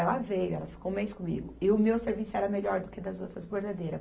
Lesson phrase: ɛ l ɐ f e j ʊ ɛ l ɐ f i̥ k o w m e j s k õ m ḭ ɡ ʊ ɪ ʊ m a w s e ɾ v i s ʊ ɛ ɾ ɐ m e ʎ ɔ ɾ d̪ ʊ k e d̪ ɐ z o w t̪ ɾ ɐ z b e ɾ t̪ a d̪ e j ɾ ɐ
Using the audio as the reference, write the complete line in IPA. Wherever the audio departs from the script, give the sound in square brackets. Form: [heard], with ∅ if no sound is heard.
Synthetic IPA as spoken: ɛ l ɐ [v] e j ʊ ɛ l ɐ f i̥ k o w m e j s k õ m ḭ ɡ ʊ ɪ ʊ m [e] w s e ɾ v i s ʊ ɛ ɾ ɐ m e ʎ ɔ ɾ d̪ ʊ k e d̪ ɐ z o w t̪ ɾ ɐ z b e ɾ [d̪] a d̪ e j ɾ ɐ